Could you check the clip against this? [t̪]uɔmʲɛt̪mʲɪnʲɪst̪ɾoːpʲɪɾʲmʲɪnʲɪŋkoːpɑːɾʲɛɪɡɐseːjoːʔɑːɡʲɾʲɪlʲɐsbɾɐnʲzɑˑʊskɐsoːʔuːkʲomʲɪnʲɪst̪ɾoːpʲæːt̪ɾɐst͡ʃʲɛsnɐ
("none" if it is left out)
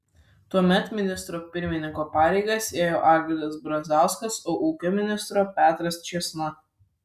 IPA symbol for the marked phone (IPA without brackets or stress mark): t̪